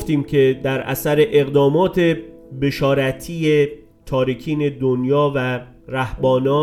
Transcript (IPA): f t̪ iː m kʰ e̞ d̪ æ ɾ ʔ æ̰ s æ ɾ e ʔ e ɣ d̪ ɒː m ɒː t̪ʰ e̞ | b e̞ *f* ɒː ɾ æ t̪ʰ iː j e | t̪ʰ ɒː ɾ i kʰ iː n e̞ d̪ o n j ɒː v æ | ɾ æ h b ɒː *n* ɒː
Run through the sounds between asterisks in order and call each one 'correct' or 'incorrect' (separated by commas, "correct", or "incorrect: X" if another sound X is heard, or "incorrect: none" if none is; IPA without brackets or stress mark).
incorrect: ʃ, correct